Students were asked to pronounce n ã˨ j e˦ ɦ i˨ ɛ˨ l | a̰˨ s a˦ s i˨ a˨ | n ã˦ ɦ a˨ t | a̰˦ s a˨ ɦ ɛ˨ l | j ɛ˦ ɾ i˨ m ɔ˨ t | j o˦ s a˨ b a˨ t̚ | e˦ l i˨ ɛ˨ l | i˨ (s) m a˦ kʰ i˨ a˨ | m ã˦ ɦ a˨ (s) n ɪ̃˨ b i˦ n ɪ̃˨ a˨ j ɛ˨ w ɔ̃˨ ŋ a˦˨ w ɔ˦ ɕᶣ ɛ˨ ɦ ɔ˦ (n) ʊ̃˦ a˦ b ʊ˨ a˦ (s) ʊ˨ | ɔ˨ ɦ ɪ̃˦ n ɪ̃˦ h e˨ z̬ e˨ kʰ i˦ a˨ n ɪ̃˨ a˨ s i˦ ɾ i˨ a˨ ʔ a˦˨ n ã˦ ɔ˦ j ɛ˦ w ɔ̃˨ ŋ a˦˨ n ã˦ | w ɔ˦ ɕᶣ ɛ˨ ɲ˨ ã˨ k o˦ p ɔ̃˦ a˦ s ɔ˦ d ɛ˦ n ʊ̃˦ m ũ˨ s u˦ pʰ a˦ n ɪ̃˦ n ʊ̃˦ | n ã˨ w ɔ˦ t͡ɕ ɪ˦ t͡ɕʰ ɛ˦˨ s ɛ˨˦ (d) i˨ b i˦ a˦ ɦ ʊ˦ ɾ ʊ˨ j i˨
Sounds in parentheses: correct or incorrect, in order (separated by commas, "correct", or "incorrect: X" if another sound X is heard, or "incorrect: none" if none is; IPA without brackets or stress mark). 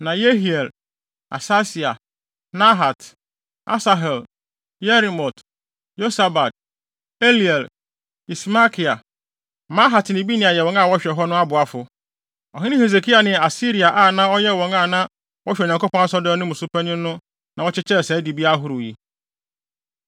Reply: correct, incorrect: t, correct, incorrect: f, correct